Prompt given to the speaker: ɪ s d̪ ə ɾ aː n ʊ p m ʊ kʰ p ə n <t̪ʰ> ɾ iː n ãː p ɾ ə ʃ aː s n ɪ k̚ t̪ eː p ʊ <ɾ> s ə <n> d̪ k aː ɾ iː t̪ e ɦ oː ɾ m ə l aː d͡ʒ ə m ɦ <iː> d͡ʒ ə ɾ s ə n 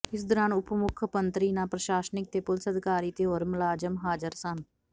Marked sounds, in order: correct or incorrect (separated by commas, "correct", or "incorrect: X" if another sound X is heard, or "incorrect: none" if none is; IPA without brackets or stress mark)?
incorrect: t̪, incorrect: l, incorrect: none, incorrect: aː